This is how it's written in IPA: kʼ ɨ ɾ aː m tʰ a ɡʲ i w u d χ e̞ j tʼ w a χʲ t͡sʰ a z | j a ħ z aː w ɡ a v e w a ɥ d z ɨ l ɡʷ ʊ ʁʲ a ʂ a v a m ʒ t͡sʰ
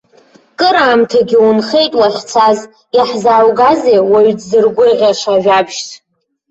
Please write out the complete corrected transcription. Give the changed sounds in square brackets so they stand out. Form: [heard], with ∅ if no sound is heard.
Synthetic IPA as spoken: kʼ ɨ ɾ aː m tʰ a ɡʲ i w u [n] χ e̞ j tʼ w a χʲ t͡sʰ a z | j a ħ z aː w ɡ a [z] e w a ɥ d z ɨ [r] ɡʷ ʊ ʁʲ a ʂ a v a [b] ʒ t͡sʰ